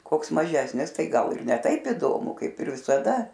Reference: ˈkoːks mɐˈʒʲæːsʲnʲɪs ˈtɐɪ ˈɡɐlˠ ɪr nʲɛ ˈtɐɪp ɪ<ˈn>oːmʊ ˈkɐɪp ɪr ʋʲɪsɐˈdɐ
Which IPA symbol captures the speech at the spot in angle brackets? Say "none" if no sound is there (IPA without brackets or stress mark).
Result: d